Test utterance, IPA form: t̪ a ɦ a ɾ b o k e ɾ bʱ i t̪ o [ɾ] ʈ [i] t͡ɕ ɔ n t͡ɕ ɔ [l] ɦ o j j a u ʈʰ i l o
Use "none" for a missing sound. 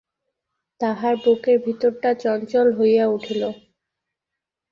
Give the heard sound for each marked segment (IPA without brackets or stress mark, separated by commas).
ɾ, a, l